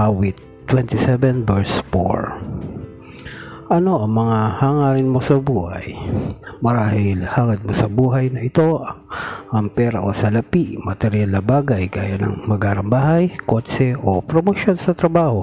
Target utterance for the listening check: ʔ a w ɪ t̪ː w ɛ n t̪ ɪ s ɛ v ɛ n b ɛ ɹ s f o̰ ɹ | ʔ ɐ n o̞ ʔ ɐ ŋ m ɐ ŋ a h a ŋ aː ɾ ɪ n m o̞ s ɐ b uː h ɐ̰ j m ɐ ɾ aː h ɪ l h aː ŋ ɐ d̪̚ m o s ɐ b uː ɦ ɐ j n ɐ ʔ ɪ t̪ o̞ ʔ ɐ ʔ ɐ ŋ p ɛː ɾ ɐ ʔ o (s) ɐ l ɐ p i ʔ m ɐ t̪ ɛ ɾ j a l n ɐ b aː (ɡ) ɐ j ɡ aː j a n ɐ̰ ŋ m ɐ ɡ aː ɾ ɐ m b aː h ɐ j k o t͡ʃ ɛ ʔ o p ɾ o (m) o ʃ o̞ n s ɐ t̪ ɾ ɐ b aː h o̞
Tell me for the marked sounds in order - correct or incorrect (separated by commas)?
correct, correct, correct